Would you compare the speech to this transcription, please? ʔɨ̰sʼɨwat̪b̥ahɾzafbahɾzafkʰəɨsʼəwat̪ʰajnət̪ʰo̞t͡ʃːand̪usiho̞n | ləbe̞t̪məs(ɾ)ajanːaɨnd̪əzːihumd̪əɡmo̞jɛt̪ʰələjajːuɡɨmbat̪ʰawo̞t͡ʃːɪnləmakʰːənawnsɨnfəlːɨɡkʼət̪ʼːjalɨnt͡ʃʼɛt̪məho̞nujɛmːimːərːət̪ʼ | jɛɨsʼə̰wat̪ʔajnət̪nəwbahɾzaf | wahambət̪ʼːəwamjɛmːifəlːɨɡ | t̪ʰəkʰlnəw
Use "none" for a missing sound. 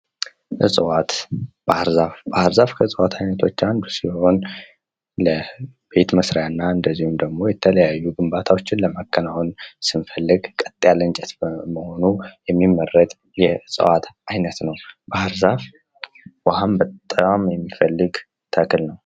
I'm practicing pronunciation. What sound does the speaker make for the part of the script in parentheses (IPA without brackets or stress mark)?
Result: ɾ